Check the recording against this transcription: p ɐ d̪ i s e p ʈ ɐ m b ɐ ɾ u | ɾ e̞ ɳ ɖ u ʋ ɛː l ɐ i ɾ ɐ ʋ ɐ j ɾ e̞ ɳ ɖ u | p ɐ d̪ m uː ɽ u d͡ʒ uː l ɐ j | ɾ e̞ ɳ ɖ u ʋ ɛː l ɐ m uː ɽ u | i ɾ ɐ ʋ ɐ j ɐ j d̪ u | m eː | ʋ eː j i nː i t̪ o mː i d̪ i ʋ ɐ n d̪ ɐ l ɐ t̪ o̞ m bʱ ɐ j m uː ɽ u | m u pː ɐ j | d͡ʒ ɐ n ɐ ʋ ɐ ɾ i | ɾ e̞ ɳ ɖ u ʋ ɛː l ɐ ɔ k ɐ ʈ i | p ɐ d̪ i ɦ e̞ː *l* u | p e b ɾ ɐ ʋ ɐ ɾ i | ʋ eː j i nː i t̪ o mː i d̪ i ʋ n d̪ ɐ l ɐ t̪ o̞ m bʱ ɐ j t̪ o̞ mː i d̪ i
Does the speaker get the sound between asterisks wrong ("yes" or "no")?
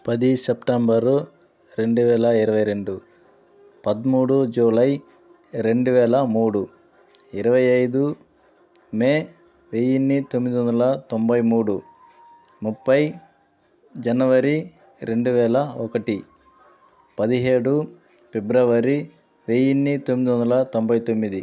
yes